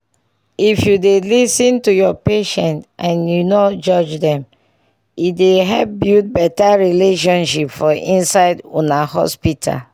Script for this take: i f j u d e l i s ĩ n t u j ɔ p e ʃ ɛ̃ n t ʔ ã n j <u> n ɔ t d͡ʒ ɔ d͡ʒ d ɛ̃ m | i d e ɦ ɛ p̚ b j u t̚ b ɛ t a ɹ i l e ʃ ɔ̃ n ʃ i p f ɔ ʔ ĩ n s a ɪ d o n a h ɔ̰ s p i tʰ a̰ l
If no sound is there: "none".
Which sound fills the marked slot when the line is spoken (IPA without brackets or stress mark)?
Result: u